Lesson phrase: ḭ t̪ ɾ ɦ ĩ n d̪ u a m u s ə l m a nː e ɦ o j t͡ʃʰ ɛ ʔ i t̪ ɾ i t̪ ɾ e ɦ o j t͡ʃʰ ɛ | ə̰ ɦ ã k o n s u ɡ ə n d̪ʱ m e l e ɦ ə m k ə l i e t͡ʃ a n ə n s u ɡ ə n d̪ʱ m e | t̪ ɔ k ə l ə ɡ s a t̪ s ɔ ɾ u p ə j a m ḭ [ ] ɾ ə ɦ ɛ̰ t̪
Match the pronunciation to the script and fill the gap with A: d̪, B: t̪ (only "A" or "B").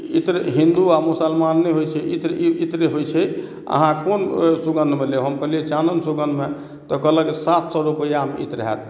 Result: B